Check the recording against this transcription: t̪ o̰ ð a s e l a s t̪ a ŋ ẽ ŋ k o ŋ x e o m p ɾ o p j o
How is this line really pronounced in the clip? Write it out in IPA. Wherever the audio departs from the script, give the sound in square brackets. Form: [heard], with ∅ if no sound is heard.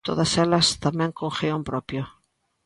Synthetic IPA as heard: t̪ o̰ ð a s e l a s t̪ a [m] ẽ ŋ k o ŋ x e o m p ɾ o p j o